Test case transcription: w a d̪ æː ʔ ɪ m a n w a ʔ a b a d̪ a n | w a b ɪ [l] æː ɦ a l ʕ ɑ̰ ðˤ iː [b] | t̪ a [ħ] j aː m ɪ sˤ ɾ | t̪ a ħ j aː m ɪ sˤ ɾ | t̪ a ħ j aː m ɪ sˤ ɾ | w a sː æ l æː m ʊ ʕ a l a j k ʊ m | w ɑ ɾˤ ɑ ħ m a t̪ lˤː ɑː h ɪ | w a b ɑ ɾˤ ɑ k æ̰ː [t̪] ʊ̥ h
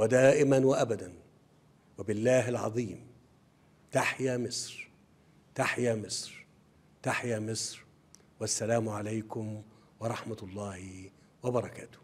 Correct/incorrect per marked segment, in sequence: incorrect, incorrect, correct, correct

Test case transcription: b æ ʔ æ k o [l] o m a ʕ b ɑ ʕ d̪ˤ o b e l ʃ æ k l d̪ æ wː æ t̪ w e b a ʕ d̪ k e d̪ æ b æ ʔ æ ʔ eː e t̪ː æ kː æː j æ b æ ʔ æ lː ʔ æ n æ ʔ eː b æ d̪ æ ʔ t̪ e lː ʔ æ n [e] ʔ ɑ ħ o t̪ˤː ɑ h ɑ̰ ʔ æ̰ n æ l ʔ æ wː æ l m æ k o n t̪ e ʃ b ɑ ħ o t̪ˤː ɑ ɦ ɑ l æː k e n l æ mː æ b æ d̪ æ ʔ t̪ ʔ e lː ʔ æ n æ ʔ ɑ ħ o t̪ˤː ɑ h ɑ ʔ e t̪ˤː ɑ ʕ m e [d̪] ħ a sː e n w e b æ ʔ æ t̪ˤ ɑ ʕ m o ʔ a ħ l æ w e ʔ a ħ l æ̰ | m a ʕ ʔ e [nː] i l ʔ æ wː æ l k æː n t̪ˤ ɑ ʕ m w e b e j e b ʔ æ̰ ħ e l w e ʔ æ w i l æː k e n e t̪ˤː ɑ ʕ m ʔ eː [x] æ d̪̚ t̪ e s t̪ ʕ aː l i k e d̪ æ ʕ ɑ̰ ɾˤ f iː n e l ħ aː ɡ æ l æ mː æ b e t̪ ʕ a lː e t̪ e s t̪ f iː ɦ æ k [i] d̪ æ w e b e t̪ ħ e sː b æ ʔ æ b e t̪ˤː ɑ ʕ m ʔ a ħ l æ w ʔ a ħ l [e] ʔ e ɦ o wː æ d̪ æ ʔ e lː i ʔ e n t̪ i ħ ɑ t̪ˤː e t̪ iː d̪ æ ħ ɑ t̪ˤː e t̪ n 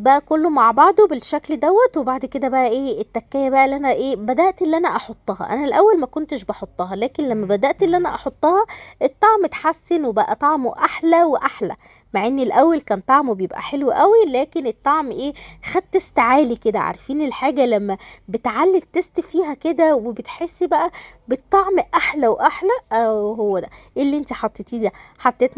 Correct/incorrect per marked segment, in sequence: incorrect, incorrect, incorrect, correct, correct, incorrect, incorrect

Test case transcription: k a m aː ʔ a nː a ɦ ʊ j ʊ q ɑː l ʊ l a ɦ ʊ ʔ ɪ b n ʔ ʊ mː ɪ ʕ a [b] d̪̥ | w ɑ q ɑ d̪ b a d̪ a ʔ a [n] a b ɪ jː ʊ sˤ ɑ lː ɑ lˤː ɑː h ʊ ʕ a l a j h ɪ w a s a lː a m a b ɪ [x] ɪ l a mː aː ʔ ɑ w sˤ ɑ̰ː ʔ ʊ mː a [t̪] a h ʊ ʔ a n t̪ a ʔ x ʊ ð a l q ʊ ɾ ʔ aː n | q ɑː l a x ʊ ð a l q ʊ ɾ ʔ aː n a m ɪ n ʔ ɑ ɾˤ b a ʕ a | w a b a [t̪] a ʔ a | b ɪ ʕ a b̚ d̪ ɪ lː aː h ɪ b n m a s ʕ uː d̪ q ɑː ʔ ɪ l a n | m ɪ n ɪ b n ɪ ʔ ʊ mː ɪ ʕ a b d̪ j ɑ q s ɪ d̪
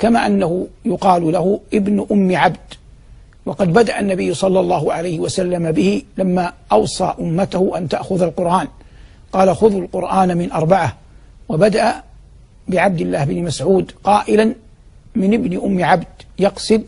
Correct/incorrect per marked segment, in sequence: correct, incorrect, incorrect, correct, incorrect

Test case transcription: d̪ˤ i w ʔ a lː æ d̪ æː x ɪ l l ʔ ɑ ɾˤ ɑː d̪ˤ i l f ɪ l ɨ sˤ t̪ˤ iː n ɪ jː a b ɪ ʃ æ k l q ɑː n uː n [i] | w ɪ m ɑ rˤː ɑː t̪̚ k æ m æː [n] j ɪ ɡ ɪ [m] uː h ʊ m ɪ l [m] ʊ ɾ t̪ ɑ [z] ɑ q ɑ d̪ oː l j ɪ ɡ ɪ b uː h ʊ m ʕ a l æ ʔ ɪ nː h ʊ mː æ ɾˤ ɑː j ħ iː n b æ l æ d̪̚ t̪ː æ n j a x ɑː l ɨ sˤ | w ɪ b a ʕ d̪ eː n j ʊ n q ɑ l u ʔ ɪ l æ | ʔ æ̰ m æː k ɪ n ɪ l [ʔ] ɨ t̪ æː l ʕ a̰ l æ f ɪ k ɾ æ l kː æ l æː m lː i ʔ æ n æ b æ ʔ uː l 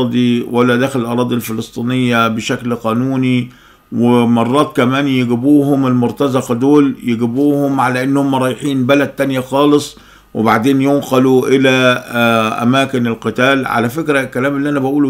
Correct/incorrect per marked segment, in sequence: correct, correct, incorrect, correct, correct, incorrect

